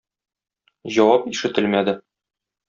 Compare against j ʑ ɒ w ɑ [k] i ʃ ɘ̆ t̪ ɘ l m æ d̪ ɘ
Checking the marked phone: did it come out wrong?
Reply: yes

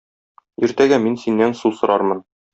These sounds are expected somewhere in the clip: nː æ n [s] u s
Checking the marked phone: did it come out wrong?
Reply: no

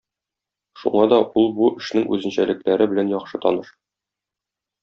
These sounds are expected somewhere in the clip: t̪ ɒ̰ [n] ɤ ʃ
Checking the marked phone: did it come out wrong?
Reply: no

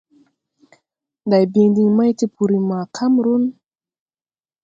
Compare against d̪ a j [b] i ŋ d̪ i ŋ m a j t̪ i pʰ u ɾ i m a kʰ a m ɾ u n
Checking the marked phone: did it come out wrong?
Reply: no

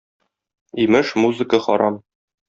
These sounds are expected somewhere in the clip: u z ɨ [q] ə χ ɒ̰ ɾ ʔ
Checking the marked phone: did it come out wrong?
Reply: yes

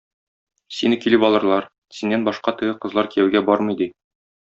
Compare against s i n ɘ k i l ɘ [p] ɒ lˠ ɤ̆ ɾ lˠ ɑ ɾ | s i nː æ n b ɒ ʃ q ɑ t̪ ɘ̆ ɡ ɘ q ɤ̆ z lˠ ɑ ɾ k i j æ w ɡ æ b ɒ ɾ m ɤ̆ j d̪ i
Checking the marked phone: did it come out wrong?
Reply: no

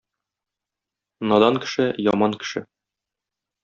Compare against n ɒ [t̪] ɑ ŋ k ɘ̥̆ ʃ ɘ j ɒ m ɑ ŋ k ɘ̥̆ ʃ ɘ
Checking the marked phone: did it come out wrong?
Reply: yes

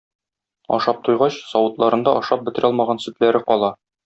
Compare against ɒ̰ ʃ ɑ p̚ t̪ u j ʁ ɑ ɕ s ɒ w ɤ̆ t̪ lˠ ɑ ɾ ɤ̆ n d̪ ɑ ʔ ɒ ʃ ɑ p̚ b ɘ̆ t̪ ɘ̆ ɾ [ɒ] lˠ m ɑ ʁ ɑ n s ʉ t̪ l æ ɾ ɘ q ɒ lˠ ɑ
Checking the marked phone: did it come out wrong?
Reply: no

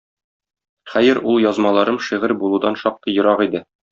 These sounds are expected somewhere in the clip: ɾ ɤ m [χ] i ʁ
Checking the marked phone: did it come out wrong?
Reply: yes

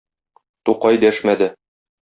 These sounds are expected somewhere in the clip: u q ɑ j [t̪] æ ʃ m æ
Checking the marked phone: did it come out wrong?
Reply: yes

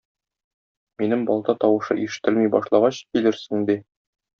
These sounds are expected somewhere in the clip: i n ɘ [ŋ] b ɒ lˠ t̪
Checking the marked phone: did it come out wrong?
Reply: yes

